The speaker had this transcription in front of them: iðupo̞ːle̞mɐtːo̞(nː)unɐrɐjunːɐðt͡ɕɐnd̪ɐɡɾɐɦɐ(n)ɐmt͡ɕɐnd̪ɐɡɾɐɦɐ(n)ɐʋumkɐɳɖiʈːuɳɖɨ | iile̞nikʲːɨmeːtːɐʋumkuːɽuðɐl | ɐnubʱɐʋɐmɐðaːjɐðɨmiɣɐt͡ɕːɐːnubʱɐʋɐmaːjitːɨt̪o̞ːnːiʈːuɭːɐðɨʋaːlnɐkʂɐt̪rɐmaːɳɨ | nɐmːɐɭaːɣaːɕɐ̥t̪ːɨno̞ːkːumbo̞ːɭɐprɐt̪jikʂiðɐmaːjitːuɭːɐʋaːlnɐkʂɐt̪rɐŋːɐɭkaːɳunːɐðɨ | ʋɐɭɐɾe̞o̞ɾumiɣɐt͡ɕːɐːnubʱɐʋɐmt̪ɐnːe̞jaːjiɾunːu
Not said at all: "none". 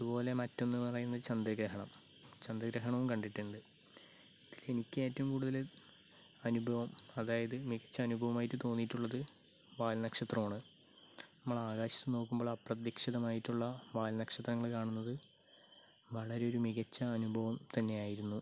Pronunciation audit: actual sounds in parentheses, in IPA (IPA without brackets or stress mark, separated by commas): nː, ɳ, ɳ